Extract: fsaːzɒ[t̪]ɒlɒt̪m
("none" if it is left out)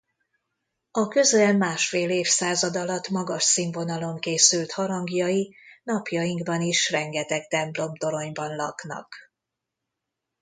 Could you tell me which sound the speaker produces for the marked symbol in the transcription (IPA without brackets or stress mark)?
d̪